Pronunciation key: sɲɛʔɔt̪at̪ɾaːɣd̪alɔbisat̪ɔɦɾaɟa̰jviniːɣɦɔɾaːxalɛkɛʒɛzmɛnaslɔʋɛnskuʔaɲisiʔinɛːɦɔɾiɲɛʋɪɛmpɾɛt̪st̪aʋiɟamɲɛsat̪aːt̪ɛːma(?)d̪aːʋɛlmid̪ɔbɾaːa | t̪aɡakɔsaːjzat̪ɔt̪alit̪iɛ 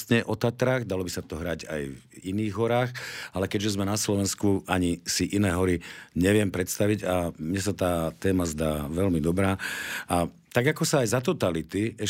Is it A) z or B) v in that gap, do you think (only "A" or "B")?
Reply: A